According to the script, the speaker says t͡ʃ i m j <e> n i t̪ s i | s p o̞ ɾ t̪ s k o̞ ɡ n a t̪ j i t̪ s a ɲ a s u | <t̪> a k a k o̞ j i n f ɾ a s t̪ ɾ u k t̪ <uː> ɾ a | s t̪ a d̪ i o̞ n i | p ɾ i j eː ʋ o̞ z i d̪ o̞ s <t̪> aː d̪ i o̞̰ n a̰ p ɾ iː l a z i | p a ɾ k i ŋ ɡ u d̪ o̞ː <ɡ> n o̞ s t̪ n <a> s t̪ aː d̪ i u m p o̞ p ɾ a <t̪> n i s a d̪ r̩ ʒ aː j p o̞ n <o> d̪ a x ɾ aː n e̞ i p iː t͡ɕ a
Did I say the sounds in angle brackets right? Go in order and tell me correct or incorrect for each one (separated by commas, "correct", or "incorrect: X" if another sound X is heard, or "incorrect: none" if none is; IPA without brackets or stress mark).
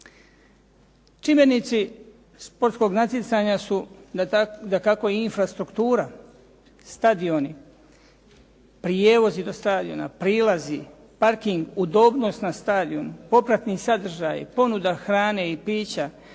correct, incorrect: d̪, correct, correct, incorrect: b, correct, correct, incorrect: u